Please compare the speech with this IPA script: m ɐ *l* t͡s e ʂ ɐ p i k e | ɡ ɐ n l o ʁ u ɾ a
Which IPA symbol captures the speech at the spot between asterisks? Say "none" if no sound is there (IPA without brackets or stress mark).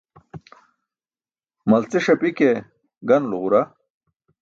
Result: l